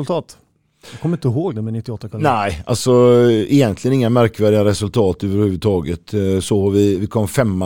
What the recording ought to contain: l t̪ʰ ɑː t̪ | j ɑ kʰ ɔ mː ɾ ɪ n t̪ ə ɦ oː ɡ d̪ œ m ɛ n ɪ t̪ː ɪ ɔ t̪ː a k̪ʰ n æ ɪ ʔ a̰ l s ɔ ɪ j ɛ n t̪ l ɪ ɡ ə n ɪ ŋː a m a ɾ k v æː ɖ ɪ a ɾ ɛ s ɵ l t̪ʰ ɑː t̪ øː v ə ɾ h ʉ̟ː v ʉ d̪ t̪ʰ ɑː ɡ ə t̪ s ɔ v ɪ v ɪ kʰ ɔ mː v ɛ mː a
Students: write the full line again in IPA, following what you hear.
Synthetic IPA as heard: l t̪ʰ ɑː t̪ | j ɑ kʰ ɔ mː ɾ ɪ n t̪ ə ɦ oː ɡ d̪ ɛ m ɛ n ɪ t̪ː ɪ ɔ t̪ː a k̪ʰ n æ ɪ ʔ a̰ l s ɔ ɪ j ɛ n t̪ l ɪ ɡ ə n ɪ ŋː a m æ ɾ k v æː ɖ ɪ a ɾ ɛ s ɵ l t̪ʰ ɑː t̪ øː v ə ɾ h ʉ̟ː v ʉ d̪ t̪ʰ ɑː ɡ ə t̪ s ɔ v ɪ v ɪ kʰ ɔ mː f ɛ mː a